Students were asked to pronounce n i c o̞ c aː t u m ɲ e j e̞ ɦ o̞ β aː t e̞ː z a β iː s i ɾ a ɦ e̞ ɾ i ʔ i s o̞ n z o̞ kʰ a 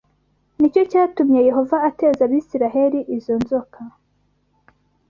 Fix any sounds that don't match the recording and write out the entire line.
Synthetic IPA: n i c o̞ c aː t u m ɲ e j e̞ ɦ o̞ v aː t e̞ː z a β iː s i ɾ a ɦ e̞ ɾ i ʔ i z o̞ n z o̞ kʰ a